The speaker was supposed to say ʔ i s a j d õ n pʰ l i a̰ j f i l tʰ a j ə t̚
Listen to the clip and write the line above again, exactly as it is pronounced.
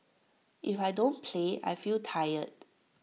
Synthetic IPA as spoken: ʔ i f a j d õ n pʰ l e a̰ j f i l tʰ a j ə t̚